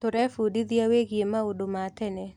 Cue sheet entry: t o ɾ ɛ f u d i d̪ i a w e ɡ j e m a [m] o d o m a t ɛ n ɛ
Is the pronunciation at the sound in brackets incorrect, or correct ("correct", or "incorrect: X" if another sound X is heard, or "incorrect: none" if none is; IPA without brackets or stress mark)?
incorrect: none